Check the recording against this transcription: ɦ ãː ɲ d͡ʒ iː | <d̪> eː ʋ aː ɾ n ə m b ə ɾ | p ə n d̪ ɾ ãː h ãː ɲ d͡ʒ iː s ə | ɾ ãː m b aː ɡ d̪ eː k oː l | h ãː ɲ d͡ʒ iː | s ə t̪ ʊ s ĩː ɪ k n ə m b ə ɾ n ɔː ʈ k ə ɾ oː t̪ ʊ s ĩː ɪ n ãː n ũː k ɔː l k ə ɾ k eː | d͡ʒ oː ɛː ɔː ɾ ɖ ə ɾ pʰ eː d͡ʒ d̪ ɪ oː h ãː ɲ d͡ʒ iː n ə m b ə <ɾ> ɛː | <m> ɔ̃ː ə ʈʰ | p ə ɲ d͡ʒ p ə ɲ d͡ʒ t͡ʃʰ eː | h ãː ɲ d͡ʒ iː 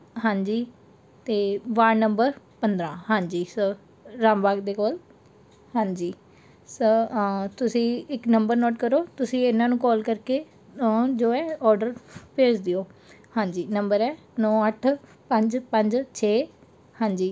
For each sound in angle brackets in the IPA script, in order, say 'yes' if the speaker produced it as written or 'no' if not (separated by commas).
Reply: no, yes, no